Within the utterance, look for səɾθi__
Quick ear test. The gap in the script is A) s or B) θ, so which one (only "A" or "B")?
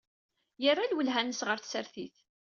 B